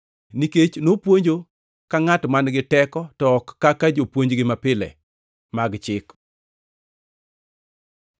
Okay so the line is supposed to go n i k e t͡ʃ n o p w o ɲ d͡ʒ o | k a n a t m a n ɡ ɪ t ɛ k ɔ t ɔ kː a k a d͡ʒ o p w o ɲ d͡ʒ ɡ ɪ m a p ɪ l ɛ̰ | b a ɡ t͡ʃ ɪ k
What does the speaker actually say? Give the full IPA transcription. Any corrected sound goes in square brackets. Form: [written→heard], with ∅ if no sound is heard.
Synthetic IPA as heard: n i k e t͡ʃ n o p w o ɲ d͡ʒ o | k a [n→ŋ] a t m a n ɡ ɪ t ɛ k ɔ t ɔ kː a k a d͡ʒ o p w o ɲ d͡ʒ ɡ ɪ m a p ɪ l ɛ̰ | [b→m] a ɡ t͡ʃ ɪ k